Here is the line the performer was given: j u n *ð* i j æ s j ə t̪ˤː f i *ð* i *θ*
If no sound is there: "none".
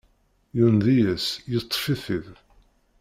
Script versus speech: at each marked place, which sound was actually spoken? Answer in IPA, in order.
ð, θ, ð

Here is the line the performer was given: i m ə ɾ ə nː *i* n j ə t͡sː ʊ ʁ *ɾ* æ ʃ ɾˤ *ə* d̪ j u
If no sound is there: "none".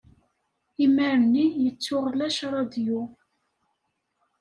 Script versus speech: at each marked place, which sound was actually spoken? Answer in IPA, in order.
i, l, ɑ

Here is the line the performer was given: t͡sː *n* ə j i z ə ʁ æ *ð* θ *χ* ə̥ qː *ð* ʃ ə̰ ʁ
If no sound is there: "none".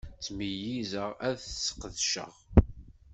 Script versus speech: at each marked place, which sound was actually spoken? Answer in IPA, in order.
m, ð, s, ð

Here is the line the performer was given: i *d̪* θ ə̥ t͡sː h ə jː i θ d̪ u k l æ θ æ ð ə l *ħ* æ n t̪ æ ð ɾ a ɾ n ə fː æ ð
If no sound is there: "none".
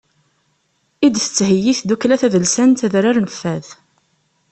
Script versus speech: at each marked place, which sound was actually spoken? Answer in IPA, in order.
d̪, s

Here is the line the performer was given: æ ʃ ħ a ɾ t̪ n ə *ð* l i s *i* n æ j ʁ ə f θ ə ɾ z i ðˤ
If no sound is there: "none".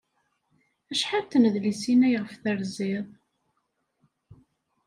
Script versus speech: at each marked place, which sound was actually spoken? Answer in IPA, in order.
ð, i

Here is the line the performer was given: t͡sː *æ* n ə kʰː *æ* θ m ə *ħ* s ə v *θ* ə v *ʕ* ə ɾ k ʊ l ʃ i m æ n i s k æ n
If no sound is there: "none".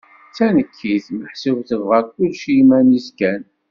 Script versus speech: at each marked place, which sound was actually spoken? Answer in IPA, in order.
æ, i, ħ, θ, ʁ

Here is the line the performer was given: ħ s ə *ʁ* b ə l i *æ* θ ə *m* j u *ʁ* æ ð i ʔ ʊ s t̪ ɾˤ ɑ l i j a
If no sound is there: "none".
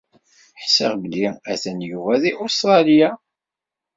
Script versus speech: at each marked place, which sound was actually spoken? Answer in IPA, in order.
ʁ, æ, n, v

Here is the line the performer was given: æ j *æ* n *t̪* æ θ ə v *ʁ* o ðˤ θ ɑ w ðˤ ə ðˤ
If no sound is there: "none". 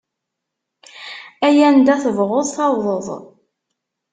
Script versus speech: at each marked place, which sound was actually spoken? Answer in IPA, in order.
æ, d̪, ʁ

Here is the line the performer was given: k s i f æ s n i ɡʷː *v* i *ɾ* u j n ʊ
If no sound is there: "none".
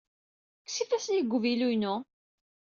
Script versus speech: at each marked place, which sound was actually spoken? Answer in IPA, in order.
v, l

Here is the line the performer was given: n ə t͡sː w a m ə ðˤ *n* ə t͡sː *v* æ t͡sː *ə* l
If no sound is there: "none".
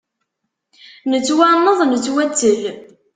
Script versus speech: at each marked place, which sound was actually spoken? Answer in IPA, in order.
n, w, ə

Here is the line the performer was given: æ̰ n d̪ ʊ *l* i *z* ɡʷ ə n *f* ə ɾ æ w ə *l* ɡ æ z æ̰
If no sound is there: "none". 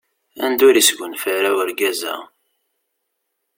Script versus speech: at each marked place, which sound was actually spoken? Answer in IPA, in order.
ɾ, s, f, ɾ

